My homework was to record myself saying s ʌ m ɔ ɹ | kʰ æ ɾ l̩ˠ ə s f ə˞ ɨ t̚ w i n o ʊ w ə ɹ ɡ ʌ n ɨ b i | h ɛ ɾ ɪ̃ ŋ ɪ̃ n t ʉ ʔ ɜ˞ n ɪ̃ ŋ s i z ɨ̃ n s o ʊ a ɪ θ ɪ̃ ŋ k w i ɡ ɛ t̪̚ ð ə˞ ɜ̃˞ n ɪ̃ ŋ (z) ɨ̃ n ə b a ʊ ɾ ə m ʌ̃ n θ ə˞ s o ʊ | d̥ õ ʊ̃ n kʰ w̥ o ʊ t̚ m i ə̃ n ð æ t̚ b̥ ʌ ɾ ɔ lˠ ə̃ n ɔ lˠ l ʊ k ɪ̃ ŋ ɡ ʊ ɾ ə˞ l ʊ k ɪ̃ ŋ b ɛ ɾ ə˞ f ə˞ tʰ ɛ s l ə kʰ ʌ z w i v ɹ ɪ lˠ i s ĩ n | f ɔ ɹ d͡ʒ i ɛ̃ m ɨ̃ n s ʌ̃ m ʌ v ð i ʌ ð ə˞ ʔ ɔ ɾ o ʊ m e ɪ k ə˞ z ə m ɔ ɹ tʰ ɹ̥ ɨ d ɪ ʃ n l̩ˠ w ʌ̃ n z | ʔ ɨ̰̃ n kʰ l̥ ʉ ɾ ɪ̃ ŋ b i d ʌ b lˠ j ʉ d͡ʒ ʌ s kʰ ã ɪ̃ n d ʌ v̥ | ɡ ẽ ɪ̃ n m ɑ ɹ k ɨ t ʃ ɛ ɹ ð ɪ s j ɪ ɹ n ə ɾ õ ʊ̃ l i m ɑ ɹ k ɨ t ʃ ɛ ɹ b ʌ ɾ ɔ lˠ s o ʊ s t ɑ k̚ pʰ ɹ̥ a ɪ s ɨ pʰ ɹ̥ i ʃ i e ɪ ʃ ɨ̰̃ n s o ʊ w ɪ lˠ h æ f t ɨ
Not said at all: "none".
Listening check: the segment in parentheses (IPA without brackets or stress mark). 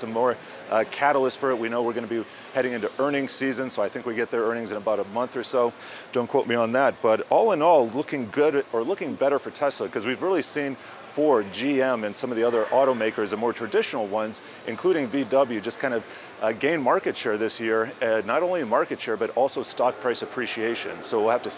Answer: z